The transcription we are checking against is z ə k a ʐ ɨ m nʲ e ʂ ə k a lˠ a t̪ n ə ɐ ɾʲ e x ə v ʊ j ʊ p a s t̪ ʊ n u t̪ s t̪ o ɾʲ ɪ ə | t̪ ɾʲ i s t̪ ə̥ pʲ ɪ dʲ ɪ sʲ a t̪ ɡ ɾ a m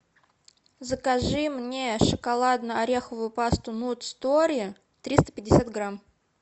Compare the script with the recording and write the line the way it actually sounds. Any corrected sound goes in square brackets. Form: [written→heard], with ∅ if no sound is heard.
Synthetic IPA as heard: z ə k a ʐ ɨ m nʲ e ʂ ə k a lˠ a [t̪→d̪] n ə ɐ ɾʲ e x ə v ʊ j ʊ p a s t̪ ʊ n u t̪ s t̪ o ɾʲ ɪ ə | t̪ ɾʲ i s t̪ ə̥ pʲ ɪ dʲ ɪ sʲ a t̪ ɡ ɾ a m